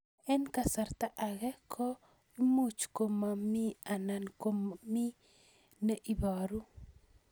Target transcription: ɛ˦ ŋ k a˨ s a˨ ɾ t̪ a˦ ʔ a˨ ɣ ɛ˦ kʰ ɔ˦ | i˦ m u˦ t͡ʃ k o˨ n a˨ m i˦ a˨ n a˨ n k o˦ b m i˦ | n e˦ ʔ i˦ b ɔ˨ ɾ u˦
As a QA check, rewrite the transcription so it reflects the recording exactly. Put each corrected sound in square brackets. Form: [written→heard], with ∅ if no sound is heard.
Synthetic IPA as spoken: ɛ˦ [ŋ→n] k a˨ s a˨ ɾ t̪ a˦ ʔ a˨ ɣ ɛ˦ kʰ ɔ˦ | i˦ m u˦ t͡ʃ k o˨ [n→m] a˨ m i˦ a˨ n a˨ n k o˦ [b→m] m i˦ | n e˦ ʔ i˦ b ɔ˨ ɾ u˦